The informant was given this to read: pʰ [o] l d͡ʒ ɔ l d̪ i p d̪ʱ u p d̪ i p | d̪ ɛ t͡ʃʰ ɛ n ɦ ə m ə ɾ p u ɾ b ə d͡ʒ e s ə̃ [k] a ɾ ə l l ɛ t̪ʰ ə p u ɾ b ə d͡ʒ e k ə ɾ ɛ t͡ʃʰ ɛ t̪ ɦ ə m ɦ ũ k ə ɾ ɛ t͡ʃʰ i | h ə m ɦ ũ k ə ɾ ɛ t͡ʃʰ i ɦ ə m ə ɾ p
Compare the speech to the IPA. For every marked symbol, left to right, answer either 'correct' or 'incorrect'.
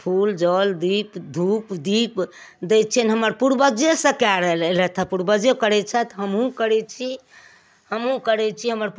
incorrect: u, correct

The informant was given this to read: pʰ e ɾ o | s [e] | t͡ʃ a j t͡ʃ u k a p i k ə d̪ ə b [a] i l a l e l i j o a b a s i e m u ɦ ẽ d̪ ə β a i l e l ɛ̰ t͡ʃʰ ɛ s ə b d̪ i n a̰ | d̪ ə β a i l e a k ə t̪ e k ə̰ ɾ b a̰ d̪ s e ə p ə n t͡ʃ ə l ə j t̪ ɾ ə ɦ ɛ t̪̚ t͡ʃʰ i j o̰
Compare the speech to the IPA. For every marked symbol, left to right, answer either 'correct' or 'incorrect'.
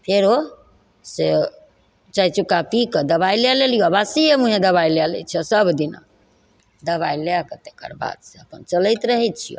correct, correct

